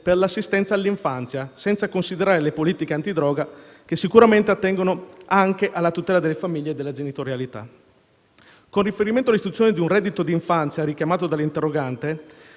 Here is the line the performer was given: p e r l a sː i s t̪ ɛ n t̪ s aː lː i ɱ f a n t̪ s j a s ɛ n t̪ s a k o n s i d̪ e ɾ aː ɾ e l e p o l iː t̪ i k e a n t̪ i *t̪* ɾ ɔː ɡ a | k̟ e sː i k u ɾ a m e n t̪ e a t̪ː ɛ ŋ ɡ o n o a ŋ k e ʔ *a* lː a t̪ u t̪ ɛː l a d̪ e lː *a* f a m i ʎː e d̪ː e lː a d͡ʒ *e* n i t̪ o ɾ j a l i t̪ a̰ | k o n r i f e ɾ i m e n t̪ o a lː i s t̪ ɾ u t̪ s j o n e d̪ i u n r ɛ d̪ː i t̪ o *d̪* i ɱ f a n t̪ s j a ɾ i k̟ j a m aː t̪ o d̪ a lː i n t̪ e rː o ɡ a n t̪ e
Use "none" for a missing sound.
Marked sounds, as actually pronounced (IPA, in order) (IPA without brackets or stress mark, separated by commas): d̪, a, e, e, d̪